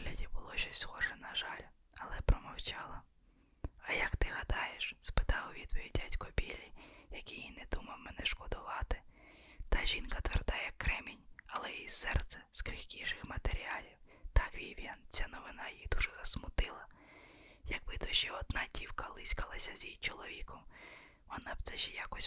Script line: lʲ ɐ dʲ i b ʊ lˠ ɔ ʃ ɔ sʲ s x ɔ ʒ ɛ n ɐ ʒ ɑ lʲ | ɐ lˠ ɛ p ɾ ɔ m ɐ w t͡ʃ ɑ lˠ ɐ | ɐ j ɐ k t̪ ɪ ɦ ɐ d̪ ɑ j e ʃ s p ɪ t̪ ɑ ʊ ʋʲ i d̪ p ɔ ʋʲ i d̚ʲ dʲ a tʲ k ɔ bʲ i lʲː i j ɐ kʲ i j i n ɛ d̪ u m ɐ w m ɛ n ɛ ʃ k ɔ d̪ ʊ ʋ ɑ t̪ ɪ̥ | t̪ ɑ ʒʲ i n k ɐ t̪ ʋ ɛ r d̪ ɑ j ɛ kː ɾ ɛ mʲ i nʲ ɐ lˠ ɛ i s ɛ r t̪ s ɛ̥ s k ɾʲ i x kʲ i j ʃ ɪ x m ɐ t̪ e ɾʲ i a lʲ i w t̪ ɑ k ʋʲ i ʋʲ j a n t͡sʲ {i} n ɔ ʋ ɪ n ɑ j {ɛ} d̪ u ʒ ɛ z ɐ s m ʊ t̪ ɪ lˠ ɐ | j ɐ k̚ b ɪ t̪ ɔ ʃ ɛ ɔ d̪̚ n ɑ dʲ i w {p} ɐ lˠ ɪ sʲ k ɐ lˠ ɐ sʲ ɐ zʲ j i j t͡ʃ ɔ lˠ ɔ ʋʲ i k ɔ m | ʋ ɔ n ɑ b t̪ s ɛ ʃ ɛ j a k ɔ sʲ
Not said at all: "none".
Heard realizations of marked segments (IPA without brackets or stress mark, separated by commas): a, i, k